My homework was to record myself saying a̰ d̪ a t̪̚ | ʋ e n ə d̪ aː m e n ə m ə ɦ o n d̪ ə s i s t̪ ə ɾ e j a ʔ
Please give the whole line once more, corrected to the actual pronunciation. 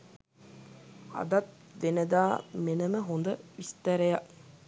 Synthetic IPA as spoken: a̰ d̪ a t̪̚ | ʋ e n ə d̪ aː m e n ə m ə ɦ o n d̪ ə i s t̪ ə ɾ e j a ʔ